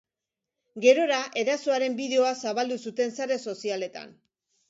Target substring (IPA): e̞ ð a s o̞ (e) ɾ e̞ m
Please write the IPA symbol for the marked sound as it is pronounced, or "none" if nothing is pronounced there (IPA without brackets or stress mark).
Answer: a